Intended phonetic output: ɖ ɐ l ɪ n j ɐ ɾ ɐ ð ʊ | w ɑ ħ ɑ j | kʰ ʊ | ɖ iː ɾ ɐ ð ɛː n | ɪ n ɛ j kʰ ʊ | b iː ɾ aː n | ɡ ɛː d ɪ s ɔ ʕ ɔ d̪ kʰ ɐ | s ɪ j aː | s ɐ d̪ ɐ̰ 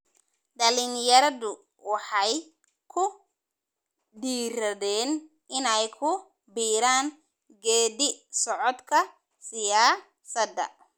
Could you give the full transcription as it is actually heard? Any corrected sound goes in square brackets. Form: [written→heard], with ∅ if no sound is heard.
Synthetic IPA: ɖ ɐ l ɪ n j ɐ ɾ ɐ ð ʊ | w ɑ ħ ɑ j | kʰ ʊ | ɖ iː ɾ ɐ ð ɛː n | ɪ n ɛ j kʰ ʊ | b iː ɾ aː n | ɡ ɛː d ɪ s ɔ ʕ ɔ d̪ kʰ ɐ | s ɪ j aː | s ɐ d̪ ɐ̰